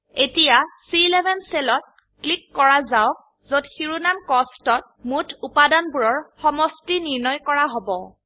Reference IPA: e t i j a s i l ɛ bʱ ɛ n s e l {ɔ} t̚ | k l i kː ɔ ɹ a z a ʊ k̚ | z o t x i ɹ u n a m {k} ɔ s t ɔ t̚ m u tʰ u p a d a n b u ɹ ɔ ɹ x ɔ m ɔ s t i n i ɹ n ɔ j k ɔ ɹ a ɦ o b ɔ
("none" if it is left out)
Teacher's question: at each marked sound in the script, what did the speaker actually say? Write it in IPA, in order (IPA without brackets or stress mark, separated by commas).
ɔ, k